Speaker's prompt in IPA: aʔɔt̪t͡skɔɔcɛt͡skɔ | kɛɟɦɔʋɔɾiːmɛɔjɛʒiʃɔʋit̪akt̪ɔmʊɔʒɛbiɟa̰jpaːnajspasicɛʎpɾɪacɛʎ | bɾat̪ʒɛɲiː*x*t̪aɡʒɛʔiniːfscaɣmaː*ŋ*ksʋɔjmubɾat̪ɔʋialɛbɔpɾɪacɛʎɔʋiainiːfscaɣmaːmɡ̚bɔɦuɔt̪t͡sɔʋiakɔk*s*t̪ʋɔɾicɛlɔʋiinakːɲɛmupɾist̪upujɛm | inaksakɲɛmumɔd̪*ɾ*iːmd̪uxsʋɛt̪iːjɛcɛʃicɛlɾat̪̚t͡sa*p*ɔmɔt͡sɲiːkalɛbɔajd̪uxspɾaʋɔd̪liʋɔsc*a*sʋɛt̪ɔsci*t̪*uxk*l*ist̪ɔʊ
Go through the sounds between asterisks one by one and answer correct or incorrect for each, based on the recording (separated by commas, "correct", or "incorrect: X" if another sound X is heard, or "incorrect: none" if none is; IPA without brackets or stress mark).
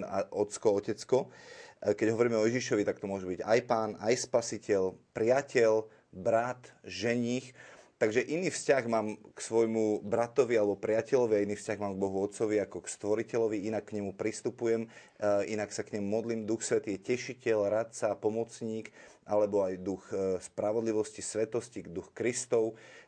correct, incorrect: m, correct, incorrect: l, correct, incorrect: i, incorrect: d̪, incorrect: ɾ